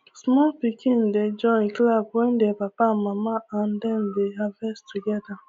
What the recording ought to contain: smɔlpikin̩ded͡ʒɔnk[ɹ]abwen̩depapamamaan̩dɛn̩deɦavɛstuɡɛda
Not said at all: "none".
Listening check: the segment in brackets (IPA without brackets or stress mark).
l